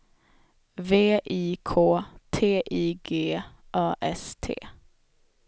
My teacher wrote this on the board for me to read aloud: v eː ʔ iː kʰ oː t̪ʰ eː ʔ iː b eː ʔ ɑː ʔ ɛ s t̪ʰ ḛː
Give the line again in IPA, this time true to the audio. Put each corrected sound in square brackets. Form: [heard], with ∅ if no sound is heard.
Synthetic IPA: v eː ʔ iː kʰ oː t̪ʰ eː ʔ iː [ɡ] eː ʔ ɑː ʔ ɛ s t̪ʰ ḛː